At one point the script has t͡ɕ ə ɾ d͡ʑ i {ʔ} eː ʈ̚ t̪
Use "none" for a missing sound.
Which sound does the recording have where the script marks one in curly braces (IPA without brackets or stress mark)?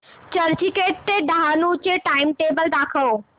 k